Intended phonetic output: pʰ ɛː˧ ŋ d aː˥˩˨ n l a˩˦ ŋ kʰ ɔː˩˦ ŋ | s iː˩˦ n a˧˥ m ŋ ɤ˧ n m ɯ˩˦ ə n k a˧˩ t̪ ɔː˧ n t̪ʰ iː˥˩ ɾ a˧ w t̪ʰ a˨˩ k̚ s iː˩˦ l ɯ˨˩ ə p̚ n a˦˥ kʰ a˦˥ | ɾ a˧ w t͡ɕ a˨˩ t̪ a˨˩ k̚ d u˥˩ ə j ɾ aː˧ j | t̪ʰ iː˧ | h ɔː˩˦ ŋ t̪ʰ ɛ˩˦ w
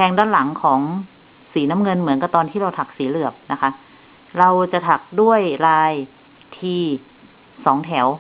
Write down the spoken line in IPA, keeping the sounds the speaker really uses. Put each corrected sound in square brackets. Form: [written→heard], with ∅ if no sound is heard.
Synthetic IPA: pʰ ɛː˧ ŋ d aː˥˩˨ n l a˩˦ ŋ kʰ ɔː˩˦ ŋ | s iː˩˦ n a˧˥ m ŋ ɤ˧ n m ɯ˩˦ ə n k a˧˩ t̪ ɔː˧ n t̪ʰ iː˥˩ ɾ a˧ w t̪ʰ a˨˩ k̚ s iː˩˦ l ɯ˨˩ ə p̚ n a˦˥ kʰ a˦˥ | ɾ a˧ w t͡ɕ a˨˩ [t̪→t̪ʰ] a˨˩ k̚ d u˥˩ ə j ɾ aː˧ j | t̪ʰ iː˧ | [h→s] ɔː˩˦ ŋ t̪ʰ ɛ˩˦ w